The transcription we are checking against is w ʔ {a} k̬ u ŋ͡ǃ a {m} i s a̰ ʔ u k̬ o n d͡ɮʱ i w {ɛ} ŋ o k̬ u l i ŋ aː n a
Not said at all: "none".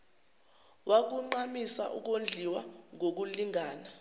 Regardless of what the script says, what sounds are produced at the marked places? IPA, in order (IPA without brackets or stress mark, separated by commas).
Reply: a, m, a